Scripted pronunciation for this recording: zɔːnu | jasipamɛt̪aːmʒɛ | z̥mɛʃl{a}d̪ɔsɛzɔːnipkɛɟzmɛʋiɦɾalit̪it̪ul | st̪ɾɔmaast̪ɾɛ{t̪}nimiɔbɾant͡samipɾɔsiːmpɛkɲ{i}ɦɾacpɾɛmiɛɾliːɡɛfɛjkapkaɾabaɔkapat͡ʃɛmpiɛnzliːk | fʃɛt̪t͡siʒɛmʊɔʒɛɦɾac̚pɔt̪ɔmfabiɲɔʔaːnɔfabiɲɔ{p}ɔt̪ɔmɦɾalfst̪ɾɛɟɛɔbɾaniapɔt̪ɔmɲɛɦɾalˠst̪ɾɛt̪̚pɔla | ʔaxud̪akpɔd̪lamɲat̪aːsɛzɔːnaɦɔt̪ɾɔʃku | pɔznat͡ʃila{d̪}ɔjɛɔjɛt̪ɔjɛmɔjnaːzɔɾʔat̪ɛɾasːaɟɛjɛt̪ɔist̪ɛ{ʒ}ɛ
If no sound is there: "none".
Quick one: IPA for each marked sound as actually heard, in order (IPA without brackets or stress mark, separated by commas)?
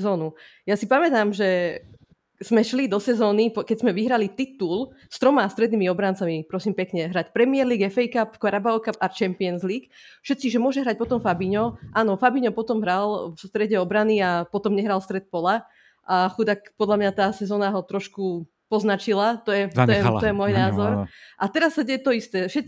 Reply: i, d̪, ɛ, p, t̪, ʃ